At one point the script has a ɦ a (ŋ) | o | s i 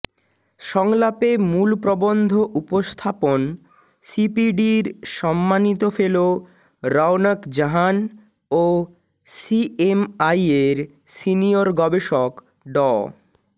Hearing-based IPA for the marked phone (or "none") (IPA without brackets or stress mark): n